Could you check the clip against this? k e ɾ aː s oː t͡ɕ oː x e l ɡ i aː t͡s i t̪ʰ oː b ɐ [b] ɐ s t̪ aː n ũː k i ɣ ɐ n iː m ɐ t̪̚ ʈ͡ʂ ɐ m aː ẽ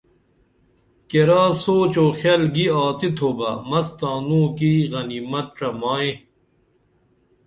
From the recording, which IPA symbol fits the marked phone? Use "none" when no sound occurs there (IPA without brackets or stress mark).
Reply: m